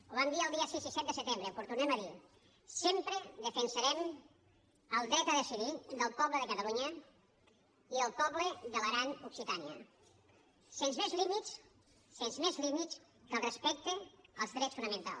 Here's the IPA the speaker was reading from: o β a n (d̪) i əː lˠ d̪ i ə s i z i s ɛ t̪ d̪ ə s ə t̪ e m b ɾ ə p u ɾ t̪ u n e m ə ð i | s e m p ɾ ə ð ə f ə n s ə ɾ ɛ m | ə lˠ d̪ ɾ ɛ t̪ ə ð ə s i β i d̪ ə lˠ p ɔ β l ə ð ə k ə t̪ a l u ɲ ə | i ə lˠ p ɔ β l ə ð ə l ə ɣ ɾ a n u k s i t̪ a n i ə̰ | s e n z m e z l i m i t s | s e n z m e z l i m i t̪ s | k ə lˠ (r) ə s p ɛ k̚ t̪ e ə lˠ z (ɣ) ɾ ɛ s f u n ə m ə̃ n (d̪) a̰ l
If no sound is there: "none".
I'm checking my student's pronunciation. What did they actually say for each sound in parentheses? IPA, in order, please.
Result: d̪, r, ð, t̪

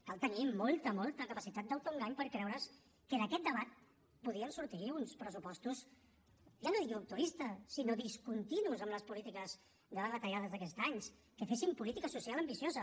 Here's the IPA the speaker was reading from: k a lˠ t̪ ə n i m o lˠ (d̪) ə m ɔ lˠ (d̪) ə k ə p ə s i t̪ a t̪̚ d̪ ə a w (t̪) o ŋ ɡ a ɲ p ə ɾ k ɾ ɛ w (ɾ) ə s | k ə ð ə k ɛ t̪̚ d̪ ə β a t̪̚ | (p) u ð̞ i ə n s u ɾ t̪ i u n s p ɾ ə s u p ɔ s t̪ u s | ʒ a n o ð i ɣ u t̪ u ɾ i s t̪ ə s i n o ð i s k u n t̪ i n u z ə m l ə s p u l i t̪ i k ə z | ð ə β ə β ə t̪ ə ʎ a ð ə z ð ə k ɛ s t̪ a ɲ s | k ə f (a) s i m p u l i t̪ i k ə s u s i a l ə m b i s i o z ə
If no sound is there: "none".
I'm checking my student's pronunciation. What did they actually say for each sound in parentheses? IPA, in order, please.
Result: t̪, t̪, t̪, ɾ, p, e

